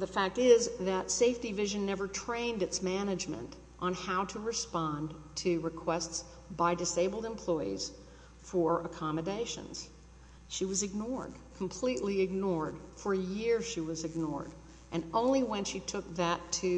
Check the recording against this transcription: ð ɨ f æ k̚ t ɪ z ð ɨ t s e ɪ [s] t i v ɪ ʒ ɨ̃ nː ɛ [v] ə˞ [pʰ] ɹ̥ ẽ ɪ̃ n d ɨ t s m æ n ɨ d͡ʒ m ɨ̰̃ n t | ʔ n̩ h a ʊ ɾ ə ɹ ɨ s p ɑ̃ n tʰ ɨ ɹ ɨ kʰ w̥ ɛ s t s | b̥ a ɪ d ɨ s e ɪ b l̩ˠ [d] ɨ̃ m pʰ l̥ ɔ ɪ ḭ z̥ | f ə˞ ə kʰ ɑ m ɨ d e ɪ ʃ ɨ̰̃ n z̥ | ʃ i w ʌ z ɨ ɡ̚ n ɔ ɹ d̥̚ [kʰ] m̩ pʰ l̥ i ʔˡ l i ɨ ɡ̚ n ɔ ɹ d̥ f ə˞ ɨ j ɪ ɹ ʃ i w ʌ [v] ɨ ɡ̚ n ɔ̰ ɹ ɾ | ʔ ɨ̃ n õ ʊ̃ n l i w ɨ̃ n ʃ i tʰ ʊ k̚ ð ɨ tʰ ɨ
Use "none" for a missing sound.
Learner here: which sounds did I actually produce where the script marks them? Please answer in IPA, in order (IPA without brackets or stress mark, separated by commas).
f, v, tʰ, d, kʰ, z